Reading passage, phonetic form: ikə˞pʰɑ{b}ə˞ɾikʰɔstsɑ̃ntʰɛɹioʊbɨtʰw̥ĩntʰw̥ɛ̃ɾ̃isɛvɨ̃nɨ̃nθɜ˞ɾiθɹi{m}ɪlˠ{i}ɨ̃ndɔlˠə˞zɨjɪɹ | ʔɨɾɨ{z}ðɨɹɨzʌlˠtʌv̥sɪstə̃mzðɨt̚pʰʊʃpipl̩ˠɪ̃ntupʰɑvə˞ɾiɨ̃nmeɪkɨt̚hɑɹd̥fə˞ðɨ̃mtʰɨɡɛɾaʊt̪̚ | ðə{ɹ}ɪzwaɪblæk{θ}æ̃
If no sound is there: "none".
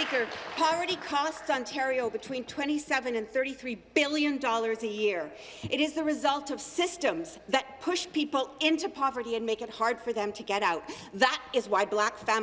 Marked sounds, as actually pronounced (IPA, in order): v, b, j, z, ɾ, f

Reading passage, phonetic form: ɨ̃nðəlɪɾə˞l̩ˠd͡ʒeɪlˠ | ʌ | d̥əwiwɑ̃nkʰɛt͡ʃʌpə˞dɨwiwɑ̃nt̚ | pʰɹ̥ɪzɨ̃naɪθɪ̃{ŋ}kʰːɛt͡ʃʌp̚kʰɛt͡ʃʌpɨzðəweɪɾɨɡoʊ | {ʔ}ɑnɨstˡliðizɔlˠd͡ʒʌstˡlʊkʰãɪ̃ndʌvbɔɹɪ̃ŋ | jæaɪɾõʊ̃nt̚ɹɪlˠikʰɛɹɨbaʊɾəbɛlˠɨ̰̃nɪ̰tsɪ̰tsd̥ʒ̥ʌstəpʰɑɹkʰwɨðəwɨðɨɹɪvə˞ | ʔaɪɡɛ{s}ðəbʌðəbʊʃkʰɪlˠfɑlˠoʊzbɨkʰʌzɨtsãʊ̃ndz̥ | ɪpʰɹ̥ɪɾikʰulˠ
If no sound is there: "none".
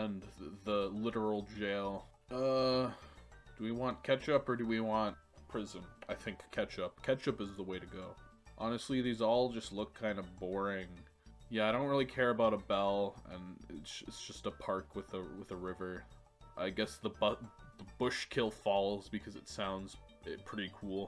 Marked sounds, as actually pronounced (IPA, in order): ŋ, ʔ, s

